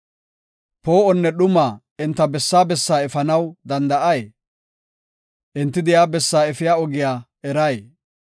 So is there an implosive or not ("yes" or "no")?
yes